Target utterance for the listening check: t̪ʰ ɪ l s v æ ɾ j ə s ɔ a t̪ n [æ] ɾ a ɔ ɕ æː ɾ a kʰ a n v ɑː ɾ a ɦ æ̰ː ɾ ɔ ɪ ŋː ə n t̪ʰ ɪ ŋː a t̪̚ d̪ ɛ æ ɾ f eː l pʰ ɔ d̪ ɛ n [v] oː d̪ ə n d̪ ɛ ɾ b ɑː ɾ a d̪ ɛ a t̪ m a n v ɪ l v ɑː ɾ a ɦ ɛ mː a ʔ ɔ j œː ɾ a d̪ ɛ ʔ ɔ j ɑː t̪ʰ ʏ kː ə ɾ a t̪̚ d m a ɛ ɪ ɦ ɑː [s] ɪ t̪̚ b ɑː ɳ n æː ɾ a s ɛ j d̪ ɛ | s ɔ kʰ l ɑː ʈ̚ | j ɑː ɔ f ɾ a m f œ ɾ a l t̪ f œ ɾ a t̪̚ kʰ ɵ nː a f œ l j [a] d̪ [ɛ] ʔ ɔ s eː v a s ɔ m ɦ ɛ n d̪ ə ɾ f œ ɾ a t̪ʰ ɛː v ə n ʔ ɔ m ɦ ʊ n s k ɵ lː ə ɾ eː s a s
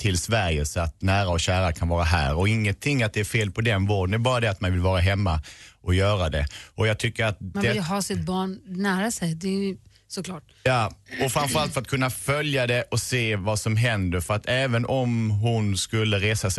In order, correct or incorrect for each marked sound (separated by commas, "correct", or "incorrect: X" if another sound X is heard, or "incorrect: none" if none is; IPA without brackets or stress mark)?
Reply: incorrect: æː, correct, correct, correct, correct